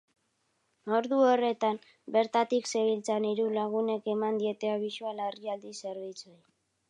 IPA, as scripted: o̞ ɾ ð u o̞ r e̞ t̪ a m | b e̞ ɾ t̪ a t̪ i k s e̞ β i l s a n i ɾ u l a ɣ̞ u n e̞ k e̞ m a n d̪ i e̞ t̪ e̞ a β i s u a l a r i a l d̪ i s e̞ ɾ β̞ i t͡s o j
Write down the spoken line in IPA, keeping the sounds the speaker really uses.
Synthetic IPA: o̞ ɾ ð u o̞ r e̞ t̪ a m | b e̞ ɾ t̪ a t̪ i k s e̞ β i l t͡s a n i ɾ u l a ɣ̞ u n e̞ k e̞ m a n d̪ i e̞ t̪ e̞ a β i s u a l a r i a l d̪ i s e̞ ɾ β̞ i t͡s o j